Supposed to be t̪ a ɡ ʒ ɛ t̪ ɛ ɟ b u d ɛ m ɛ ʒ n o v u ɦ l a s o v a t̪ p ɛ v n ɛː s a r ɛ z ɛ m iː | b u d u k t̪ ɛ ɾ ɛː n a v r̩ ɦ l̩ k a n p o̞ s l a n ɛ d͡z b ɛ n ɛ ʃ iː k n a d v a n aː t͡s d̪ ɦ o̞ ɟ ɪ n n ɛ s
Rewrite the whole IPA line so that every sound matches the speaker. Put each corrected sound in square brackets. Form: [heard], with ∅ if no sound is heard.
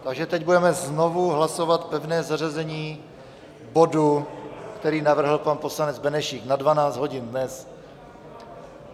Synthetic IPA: t̪ a ɡ ʒ ɛ t̪ ɛ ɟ b u d ɛ m ɛ [z] n o v u ɦ l a s o v a t̪ p ɛ v n ɛː [z] a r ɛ z ɛ [ɲ] iː | b [o] d u k t̪ ɛ ɾ [iː] n a v r̩ ɦ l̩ [p] a n p o̞ s l a n ɛ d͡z b ɛ n ɛ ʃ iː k n a d v a n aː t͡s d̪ ɦ o̞ ɟ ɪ n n ɛ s